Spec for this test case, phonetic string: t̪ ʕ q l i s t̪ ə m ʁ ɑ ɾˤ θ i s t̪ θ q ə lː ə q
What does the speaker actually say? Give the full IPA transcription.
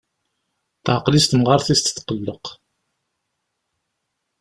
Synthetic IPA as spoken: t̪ ʕ q l i s t̪ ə m ʁ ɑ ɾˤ θ i s t̪ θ q ə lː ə q